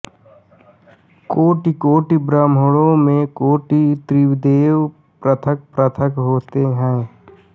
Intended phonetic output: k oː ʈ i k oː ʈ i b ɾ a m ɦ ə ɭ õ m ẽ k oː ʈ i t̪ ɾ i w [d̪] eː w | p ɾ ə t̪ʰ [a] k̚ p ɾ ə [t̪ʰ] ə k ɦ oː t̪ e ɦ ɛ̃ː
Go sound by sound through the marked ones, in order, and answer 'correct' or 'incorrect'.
correct, incorrect: ə, correct

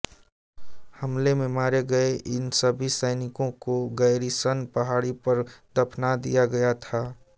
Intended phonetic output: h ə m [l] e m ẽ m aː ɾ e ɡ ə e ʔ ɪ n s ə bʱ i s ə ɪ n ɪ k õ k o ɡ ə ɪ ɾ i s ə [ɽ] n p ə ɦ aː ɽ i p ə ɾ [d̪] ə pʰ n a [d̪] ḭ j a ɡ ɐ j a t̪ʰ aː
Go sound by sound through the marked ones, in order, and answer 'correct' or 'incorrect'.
correct, incorrect: none, correct, correct

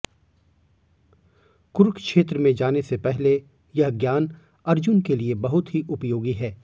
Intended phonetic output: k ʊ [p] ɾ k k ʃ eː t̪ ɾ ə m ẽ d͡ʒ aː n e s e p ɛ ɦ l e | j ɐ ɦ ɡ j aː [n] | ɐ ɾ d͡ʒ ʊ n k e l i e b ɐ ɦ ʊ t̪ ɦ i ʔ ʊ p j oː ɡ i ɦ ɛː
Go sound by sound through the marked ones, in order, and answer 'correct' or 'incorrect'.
incorrect: none, correct

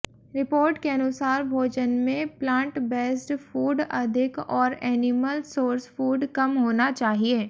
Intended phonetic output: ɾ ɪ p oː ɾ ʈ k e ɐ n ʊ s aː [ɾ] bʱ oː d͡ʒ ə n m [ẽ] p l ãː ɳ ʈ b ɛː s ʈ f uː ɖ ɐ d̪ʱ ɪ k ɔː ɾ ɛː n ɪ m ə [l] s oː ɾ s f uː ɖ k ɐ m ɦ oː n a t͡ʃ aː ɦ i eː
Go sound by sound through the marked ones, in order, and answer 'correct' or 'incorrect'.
correct, correct, correct

